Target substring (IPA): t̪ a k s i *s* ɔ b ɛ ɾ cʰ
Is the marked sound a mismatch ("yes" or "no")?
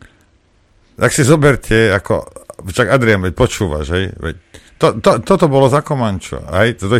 yes